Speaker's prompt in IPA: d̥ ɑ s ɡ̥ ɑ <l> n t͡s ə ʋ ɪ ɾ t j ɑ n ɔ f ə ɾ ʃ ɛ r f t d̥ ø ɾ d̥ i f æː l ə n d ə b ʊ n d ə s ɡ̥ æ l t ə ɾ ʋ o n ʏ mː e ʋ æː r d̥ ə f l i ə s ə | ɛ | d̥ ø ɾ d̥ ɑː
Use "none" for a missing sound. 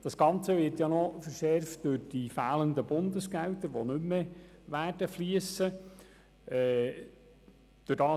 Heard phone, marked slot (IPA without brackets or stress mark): none